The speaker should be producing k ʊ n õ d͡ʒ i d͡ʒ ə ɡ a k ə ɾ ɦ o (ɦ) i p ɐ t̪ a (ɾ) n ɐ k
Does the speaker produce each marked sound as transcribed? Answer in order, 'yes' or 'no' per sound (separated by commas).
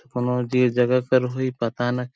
no, no